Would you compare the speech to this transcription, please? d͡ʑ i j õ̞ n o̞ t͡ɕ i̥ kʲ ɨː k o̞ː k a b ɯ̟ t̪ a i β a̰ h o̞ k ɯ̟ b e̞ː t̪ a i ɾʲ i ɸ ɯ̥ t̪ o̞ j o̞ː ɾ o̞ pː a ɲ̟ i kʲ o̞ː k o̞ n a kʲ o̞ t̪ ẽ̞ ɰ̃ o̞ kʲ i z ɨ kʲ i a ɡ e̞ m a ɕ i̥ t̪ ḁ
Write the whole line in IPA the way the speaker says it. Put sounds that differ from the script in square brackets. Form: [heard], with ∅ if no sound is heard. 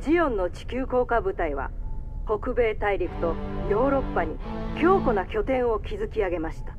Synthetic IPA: d͡ʑ i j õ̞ [nː] o̞ t͡ɕ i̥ kʲ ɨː k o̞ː k a b ɯ̟ t̪ a i β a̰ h o̞ k ɯ̟ b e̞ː t̪ a i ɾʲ i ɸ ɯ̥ t̪ o̞ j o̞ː ɾ o̞ pː a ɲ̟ i kʲ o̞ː k o̞ n a kʲ o̞ t̪ ẽ̞ ɰ̃ o̞ kʲ i z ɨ kʲ i a ɡ e̞ m a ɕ i̥ t̪ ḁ